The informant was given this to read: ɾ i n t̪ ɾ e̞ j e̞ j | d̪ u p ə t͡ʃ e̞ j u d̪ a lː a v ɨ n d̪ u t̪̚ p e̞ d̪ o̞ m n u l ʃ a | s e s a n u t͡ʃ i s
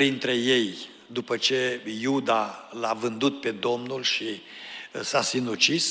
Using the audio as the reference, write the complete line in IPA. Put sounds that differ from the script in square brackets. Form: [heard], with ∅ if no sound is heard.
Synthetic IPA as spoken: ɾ i n t̪ ɾ e̞ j e̞ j | d̪ u p ə t͡ʃ e̞ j u d̪ a [l] a v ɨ n d̪ u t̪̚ p e̞ d̪ o̞ m n u l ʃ [i] | s [a] s [i] n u t͡ʃ i s